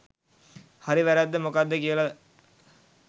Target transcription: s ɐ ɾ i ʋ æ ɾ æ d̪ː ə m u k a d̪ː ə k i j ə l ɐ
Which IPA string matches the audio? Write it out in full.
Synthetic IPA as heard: h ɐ ɾ i ʋ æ ɾ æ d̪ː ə m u k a d̪ː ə k i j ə l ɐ